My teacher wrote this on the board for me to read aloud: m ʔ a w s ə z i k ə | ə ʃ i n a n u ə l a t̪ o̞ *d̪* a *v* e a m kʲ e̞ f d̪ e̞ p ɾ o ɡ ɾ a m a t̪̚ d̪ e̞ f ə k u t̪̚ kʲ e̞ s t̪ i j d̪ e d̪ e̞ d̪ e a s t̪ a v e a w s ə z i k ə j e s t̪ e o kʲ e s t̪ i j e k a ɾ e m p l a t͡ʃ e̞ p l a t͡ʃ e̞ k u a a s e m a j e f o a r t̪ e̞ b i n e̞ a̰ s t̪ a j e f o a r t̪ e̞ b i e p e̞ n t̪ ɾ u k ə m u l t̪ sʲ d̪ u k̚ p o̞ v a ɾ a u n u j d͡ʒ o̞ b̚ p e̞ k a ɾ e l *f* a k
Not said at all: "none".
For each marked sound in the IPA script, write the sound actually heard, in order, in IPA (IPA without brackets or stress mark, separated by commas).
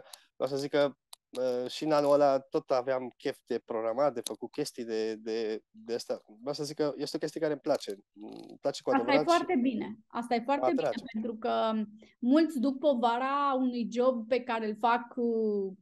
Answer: t̪, v, f